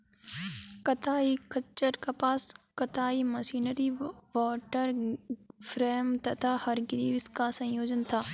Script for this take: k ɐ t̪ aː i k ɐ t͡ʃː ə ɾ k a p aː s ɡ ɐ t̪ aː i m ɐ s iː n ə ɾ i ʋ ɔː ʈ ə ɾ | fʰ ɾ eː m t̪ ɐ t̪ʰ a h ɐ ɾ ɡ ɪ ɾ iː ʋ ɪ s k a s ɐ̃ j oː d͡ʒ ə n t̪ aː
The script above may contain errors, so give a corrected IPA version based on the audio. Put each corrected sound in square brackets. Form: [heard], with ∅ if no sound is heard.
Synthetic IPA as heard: k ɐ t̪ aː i k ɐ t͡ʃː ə ɾ k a p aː s [k] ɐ t̪ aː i m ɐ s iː n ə ɾ i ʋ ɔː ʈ ə ɾ | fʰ ɾ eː m t̪ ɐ t̪ʰ a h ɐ ɾ ɡ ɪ ɾ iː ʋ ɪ s k a s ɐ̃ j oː d͡ʒ ə n [t̪ʰ] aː